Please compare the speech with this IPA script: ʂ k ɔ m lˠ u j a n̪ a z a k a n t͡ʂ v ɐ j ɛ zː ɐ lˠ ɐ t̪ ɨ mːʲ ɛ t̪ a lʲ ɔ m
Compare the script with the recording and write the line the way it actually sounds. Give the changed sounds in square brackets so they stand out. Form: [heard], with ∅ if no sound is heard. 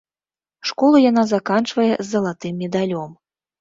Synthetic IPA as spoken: ʂ k ɔ [∅] lˠ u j a n̪ a z a k a n t͡ʂ v ɐ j ɛ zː ɐ lˠ [a] t̪ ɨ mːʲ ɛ [d̪] a lʲ ɔ m